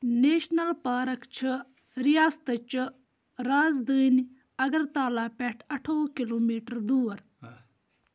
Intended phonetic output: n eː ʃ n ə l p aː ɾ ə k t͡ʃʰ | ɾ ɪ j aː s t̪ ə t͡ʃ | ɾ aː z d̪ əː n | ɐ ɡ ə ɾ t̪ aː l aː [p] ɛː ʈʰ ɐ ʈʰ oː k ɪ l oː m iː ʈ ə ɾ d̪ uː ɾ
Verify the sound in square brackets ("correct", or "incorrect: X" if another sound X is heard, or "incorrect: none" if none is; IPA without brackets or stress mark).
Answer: correct